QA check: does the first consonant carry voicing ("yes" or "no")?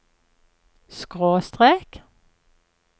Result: no